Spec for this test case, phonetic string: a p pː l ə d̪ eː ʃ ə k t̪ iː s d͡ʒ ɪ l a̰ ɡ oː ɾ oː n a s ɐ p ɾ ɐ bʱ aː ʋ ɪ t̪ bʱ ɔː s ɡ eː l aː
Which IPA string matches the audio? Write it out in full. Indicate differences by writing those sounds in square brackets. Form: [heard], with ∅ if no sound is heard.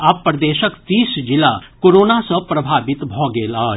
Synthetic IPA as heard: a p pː [ɾ] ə d̪ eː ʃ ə k t̪ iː s d͡ʒ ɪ l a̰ [k] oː ɾ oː n a s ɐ p ɾ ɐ bʱ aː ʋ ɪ t̪ bʱ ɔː [∅] ɡ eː l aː